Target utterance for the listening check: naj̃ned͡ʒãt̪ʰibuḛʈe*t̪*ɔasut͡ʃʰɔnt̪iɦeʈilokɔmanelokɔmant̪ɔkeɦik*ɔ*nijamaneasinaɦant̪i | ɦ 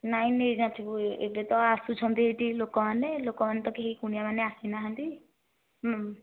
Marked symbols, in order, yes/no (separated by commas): yes, no